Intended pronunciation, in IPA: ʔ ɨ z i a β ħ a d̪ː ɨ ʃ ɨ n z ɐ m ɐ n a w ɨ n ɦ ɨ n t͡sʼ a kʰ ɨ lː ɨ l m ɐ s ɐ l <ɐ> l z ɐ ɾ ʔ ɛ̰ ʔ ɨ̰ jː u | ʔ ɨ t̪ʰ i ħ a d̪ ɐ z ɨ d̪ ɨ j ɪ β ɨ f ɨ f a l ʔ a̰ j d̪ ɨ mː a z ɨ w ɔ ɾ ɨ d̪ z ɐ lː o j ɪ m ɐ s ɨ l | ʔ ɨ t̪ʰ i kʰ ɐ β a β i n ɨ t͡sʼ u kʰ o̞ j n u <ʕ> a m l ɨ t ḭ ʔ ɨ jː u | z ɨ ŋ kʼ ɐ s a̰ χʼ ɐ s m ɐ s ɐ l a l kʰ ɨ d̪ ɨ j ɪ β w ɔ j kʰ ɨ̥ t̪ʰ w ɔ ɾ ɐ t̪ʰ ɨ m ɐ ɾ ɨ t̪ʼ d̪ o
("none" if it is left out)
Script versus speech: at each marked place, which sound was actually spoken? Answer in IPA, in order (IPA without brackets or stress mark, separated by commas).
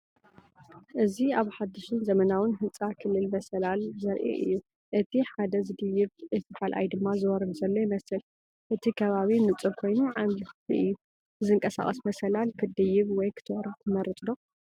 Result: a, ʕ